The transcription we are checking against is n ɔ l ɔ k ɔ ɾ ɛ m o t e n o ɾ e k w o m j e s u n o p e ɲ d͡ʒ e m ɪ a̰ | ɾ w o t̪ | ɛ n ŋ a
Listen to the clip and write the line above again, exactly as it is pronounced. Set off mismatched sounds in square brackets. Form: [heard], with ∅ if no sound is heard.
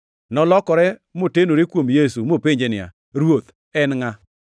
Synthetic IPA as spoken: n ɔ l ɔ k ɔ ɾ ɛ m o t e n o ɾ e k w o m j e s u [m] o p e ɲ d͡ʒ e [n] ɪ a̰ | ɾ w o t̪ | ɛ n ŋ a

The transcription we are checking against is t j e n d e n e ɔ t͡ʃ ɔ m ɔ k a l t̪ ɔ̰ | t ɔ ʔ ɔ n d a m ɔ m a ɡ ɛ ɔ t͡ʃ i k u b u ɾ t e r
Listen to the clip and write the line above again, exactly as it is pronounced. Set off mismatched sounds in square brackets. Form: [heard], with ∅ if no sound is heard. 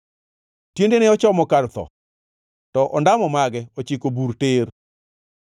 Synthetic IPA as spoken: t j e n d e n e ɔ t͡ʃ ɔ m ɔ k a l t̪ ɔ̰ | t ɔ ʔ ɔ n d a m ɔ m a ɡ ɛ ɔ t͡ʃ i k [o] b u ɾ t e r

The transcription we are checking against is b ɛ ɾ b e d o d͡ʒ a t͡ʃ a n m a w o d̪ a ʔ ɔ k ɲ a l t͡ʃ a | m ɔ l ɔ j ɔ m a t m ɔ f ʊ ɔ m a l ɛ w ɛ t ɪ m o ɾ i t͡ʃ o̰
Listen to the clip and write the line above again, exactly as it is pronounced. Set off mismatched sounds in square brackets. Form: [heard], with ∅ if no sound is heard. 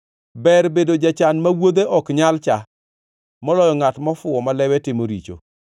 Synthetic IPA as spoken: b ɛ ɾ b e d o d͡ʒ a t͡ʃ a n m a w o d̪ [e] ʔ ɔ k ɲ a l t͡ʃ a | m ɔ l ɔ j ɔ [ŋ] a t m ɔ f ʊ ɔ m a l ɛ w ɛ t ɪ m o ɾ i t͡ʃ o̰

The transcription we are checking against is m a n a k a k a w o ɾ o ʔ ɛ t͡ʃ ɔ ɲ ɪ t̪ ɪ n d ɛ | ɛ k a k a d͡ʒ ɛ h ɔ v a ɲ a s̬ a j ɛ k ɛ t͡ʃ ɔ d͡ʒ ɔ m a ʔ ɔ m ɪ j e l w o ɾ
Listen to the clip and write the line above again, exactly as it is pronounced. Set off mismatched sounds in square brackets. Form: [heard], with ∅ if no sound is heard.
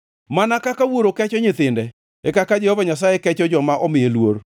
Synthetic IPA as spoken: m a n a k a k a w o ɾ o [k] ɛ t͡ʃ ɔ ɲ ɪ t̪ ɪ n d ɛ | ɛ k a k a d͡ʒ ɛ h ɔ v a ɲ a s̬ a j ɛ k ɛ t͡ʃ ɔ d͡ʒ ɔ m a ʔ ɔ m ɪ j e l w o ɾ

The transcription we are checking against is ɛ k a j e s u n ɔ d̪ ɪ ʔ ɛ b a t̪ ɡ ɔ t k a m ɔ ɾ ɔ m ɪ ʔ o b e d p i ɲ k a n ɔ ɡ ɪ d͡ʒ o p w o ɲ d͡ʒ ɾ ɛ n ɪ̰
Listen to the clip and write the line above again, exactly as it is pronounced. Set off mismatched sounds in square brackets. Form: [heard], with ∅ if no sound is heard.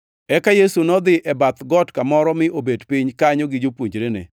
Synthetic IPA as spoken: ɛ k a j e s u n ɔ d̪ ɪ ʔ ɛ b a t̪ ɡ ɔ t k a m ɔ ɾ ɔ m ɪ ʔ o b e d p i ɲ k a [ɲ] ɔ ɡ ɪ d͡ʒ o p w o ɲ d͡ʒ ɾ [e] n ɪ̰

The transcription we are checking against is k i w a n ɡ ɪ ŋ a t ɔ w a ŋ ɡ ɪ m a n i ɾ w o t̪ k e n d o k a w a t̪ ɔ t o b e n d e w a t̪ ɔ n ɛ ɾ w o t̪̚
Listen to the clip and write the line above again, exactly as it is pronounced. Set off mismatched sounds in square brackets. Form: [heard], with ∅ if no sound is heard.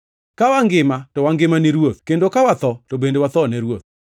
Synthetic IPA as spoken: k [a] w a [ŋ] ɡ ɪ [m] a t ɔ w a ŋ ɡ ɪ m a n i ɾ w o t̪ k e n d o k a w a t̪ ɔ t o b e n d e w a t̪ ɔ n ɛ ɾ w o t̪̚

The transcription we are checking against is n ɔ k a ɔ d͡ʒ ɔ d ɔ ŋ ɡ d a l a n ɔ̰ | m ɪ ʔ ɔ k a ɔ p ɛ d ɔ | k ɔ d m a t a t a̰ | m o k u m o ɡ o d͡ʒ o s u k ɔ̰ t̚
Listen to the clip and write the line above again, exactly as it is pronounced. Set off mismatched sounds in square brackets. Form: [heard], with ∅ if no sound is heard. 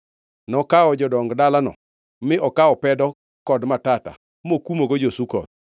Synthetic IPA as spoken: n ɔ k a ɔ d͡ʒ ɔ d ɔ ŋ ɡ d a l a n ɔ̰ | m ɪ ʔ ɔ k a ɔ p ɛ d ɔ | k ɔ d m a t a t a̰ | m o k u m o ɡ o d͡ʒ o s u k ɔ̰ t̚

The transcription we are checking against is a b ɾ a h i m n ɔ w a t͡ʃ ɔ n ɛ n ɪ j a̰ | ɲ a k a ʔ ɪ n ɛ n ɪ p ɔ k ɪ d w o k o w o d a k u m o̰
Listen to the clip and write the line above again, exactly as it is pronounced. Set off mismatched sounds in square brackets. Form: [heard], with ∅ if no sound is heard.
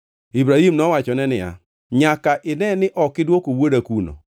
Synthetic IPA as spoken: [i] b ɾ a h i m n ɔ w a t͡ʃ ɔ n ɛ n ɪ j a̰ | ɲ a k a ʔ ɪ n ɛ n ɪ [ʔ] ɔ k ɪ d w o k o w o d a k u [n] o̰

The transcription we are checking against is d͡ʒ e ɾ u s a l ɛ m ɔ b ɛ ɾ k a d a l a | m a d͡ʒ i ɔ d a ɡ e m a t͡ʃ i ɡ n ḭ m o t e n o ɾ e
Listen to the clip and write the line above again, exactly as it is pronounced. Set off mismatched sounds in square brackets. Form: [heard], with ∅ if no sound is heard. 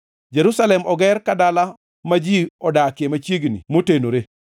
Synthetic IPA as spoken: d͡ʒ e ɾ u s a l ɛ m ɔ [ɡ] ɛ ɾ k a d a l a | m a d͡ʒ i ɔ d a [k] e m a t͡ʃ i ɡ n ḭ m o t e n o ɾ e

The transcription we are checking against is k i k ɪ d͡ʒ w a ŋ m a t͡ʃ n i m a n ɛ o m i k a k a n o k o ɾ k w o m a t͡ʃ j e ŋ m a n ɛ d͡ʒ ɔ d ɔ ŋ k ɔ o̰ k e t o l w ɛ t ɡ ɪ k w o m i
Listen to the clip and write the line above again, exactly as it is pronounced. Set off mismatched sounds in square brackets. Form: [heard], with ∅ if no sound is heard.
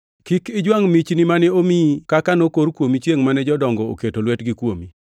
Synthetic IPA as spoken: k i k ɪ d͡ʒ w a ŋ m [i] t͡ʃ n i m a n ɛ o m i k a k a n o k o ɾ k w o m [i] t͡ʃ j e ŋ m a n ɛ d͡ʒ ɔ d ɔ ŋ [ɡ] ɔ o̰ k e t o l w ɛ t ɡ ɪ k w o m i

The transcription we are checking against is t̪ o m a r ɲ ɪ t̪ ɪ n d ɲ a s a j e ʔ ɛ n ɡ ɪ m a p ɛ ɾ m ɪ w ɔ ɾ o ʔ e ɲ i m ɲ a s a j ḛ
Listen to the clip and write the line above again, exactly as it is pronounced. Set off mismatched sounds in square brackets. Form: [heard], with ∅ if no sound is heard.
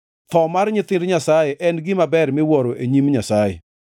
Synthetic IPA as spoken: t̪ [ɔ] m a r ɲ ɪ t̪ ɪ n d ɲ a s a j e ʔ ɛ n ɡ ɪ m a [b] ɛ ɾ m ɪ w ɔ ɾ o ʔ e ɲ i m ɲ a s a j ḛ

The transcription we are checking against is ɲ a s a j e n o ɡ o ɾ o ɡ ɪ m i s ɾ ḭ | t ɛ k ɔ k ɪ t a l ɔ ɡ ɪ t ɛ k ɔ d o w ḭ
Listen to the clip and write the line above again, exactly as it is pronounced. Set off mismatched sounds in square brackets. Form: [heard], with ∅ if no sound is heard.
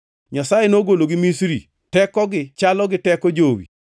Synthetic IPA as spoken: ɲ a s a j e n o ɡ o [l] o ɡ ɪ m i s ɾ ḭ | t ɛ k ɔ [ɡ] ɪ [t͡ʃ] a l ɔ ɡ ɪ t ɛ k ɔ [d͡ʒ] o w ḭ

